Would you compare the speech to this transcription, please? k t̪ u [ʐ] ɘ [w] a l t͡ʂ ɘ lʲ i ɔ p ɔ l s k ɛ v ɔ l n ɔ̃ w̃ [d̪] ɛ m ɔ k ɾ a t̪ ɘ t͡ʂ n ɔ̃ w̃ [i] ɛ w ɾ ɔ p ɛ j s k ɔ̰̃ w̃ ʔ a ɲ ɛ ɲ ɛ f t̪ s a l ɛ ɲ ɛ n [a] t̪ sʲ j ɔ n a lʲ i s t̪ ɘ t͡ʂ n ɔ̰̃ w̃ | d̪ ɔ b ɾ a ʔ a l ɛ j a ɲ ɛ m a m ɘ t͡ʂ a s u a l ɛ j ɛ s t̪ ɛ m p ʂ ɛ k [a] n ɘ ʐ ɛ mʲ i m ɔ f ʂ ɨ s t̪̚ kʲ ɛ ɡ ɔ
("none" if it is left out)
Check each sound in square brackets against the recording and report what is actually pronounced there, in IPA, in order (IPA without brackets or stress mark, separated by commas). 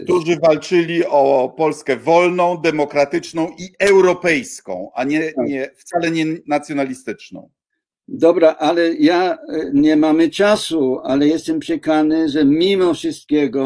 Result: ʐ, v, d̪, i, a, a